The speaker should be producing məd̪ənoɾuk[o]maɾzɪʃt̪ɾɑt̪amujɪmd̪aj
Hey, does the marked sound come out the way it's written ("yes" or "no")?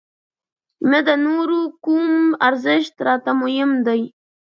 no